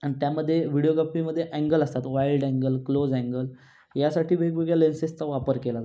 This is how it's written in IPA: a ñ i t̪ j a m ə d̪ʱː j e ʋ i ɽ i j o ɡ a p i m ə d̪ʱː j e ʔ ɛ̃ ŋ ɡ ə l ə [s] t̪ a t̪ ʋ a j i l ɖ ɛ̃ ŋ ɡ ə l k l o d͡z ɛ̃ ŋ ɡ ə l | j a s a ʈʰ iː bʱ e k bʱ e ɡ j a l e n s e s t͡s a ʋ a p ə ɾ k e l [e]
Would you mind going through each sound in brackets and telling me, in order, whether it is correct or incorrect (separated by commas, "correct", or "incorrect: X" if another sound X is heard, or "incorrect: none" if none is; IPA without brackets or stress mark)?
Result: correct, incorrect: a